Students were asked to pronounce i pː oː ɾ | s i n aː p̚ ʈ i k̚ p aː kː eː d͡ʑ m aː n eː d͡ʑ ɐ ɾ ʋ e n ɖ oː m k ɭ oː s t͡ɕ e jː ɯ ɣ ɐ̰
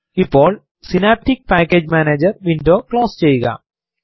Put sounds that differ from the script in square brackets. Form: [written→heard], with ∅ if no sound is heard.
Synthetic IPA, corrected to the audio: i pː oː [ɾ→ɭ] | s i n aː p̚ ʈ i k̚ p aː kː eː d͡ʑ m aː n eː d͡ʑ ɐ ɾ ʋ [e→i] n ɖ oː [m→∅] k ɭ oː s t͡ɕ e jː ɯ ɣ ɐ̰